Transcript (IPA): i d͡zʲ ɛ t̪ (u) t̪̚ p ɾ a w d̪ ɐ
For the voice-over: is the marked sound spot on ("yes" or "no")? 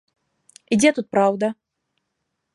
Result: yes